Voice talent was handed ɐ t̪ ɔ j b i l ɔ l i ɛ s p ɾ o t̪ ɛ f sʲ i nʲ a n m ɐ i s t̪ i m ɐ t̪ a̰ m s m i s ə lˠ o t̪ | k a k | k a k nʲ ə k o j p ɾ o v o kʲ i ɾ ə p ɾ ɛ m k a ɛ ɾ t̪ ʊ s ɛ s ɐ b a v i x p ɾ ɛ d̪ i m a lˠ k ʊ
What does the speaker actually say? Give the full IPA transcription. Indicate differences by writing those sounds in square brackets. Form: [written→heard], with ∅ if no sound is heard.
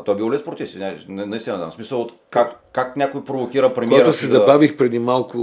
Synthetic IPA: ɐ t̪ ɔ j b i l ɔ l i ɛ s p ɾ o t̪ [ɛ→i] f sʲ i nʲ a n [m→n] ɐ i s t̪ i [m→n] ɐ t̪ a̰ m s m i s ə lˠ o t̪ | k a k | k a k nʲ [ə→a] k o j p ɾ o v o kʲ i ɾ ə p ɾ ɛ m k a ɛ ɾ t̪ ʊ s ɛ [s→z] ɐ b a v i x p ɾ ɛ d̪ i m a lˠ k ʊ